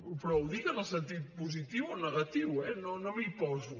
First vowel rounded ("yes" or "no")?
yes